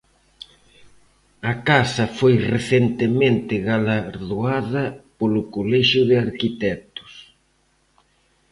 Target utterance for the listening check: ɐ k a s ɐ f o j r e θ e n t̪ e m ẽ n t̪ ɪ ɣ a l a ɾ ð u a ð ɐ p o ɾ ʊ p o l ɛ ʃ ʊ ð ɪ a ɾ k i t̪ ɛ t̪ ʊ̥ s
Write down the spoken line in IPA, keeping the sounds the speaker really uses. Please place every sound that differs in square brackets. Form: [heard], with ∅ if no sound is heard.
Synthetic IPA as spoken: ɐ k a s ɐ f o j r e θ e n t̪ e m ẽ n t̪ ɪ ɣ a l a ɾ ð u a ð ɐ p o [l] ʊ [k] o l ɛ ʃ ʊ ð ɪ a ɾ k i t̪ ɛ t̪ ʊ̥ s